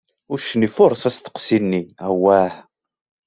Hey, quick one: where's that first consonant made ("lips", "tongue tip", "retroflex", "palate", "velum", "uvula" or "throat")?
tongue tip